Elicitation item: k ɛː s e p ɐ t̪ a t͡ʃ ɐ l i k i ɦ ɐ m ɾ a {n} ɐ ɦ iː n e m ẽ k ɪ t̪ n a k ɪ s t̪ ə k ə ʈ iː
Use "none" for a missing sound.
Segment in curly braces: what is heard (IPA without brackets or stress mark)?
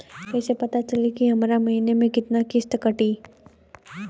m